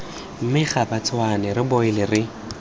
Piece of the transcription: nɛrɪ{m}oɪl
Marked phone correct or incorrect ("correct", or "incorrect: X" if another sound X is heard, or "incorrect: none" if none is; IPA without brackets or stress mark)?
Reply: incorrect: b